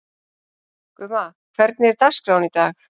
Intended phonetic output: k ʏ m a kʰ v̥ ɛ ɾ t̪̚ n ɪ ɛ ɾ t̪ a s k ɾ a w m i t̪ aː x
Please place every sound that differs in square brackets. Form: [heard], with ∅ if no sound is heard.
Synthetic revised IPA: k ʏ m a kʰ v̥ ɛ ɾ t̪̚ n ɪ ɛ ɾ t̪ a s k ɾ a w [n] i t̪ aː x